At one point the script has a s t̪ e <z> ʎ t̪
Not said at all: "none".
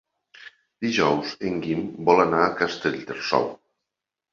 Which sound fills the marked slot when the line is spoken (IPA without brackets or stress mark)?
none